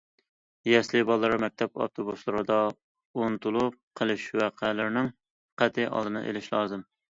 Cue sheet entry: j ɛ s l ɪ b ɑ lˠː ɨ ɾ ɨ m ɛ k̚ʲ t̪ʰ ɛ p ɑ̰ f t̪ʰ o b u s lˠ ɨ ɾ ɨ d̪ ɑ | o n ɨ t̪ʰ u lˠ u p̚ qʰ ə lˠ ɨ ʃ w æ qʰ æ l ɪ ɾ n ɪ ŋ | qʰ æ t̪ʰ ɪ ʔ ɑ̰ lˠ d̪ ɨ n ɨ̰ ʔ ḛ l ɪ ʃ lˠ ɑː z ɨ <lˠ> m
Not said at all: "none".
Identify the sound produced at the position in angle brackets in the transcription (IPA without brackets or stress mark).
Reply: none